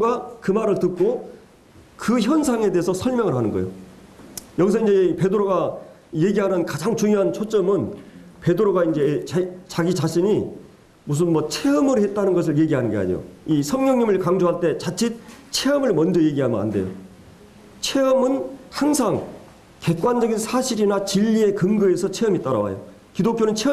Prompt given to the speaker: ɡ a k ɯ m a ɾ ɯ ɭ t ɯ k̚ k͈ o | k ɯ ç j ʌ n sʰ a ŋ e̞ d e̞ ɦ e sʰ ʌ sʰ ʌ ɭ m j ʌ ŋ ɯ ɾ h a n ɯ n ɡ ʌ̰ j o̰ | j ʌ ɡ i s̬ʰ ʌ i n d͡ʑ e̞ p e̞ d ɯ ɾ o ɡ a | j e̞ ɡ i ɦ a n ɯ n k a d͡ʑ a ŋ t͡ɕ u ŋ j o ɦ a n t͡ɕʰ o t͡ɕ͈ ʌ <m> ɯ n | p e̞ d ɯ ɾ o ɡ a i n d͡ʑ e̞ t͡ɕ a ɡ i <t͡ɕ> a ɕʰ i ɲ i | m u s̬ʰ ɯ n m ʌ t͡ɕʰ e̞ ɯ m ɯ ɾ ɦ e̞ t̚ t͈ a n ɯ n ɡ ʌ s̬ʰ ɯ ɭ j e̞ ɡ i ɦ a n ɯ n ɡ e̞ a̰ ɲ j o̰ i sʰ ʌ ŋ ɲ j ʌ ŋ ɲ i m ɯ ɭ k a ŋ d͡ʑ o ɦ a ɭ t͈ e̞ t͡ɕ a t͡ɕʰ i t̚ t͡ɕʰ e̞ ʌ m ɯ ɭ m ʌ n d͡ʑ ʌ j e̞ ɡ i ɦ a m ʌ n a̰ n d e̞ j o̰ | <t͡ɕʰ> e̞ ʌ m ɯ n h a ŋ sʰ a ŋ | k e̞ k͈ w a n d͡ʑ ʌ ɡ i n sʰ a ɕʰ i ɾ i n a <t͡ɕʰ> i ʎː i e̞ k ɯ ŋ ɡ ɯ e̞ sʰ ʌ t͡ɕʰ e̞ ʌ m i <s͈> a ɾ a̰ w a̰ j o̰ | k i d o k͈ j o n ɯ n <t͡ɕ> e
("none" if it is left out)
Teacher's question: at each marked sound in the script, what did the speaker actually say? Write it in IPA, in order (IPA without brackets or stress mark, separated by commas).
m, t͡ɕ, t͡ɕʰ, t͡ɕ, t͈, t͡ɕʰ